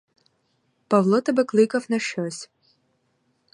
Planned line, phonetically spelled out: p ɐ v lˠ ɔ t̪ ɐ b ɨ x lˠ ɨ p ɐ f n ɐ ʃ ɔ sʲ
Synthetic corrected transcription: p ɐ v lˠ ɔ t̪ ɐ b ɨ k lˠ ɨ k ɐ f n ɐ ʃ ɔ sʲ